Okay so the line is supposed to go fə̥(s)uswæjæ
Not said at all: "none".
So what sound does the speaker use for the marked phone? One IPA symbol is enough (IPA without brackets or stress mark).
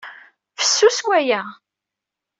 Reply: sː